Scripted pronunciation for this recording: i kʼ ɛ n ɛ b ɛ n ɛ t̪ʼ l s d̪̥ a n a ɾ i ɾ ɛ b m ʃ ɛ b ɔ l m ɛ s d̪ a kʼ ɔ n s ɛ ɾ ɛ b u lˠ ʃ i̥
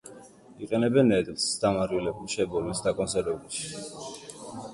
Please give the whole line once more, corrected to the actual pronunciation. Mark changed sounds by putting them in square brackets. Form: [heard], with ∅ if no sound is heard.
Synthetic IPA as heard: i [qʼ] ɛ n ɛ b ɛ n ɛ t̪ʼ l s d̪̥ a [m] a ɾ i [l] ɛ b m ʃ ɛ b ɔ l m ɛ s d̪ a kʼ ɔ n s ɛ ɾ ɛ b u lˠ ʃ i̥